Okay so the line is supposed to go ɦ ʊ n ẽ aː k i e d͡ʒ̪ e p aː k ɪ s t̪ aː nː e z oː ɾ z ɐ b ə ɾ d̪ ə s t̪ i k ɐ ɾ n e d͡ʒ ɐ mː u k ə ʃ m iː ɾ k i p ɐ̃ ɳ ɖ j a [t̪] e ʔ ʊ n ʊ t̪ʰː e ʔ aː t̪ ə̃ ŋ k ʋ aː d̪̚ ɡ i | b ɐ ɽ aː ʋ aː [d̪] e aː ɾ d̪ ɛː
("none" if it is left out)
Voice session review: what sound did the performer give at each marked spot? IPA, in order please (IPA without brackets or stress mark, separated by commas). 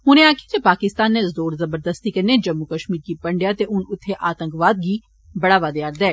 t̪, d̪